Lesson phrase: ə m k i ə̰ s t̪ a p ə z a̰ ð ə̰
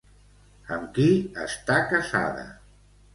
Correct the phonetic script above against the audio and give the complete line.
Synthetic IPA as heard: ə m k i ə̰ s t̪ a k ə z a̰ ð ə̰